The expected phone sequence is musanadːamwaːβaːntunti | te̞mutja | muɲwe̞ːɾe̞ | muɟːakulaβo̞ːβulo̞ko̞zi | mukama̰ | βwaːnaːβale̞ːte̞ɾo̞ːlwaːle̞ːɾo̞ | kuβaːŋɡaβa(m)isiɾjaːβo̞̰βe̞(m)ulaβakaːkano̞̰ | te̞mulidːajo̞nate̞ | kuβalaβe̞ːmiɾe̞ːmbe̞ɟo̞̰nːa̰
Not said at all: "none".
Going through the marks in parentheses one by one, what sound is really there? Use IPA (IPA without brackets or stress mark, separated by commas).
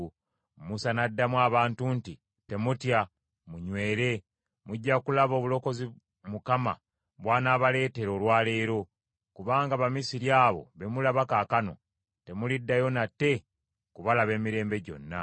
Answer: m, m